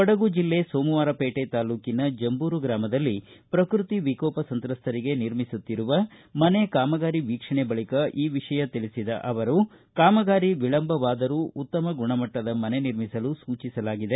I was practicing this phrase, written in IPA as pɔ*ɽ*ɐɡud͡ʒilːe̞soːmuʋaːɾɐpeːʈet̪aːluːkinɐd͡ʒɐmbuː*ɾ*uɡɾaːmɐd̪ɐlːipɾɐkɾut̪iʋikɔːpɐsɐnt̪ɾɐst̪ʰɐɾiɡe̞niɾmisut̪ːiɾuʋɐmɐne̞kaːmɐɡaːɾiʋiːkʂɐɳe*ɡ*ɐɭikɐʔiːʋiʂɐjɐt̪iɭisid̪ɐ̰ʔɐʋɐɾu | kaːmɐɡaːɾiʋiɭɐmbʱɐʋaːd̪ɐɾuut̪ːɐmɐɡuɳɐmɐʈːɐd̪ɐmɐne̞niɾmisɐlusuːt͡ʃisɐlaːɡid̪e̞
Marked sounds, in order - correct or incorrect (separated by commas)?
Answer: correct, correct, incorrect